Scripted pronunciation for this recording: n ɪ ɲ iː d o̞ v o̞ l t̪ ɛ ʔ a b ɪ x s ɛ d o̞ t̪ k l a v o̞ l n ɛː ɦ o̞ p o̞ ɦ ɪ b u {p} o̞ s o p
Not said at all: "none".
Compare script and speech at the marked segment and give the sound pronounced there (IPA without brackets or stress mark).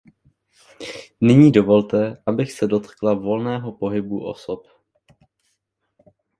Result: ʔ